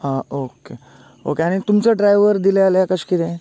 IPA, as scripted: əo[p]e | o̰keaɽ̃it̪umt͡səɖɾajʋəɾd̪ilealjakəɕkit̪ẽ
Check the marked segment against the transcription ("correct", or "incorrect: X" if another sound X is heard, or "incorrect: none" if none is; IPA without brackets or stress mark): incorrect: k